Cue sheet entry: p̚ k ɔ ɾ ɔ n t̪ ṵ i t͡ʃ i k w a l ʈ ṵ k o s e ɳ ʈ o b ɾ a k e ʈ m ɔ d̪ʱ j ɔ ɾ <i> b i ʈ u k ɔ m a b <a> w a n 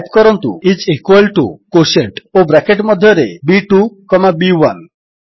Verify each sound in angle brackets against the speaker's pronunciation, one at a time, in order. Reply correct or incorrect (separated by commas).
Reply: incorrect, incorrect